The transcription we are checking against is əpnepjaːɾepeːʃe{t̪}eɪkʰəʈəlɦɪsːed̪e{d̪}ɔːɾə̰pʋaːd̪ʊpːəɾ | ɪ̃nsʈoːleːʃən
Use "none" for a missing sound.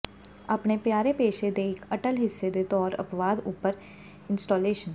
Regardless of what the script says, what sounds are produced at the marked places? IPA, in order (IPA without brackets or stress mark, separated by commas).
d̪, t̪